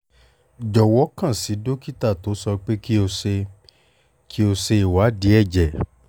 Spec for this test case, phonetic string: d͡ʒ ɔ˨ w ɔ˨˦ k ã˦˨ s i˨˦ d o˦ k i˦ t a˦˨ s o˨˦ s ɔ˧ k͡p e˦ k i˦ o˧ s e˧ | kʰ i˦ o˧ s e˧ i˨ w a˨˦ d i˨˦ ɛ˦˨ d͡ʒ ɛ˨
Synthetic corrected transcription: d͡ʒ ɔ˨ w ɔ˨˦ k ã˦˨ s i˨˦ d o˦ k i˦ t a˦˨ t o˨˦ s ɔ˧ k͡p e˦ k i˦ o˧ s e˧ | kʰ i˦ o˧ s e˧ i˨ w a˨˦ d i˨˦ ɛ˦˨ d͡ʒ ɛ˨